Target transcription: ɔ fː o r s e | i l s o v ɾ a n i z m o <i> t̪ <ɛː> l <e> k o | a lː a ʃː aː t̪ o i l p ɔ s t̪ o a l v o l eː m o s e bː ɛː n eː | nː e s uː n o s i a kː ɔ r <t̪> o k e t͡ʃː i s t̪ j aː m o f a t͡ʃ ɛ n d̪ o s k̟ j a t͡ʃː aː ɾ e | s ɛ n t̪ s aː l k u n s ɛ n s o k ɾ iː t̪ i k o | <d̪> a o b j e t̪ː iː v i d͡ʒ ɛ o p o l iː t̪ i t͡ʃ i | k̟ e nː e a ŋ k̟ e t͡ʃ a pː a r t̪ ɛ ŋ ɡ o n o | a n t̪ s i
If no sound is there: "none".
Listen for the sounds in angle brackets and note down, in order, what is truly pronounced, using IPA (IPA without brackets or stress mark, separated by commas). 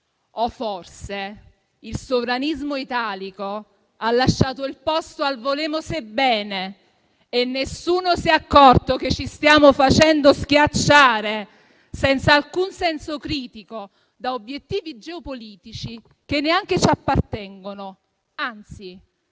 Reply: i, aː, i, t̪, d̪